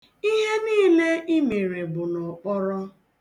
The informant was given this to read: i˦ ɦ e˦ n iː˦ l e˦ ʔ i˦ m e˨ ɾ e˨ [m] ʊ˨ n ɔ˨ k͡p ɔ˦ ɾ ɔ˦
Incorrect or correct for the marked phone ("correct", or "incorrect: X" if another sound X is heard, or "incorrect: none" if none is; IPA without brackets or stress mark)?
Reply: incorrect: b